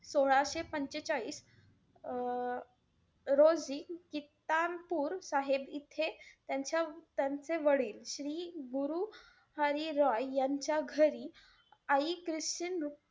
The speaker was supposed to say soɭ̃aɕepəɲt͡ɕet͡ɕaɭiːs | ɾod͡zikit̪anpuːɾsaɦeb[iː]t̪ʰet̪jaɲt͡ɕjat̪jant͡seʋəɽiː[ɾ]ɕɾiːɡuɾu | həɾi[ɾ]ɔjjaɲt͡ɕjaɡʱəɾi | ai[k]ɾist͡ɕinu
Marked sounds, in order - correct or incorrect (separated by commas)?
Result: incorrect, incorrect, correct, correct